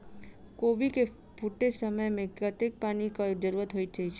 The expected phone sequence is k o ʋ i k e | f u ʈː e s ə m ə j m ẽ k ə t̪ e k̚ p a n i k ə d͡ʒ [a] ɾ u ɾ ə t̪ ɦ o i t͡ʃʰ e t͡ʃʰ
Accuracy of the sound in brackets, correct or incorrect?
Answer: incorrect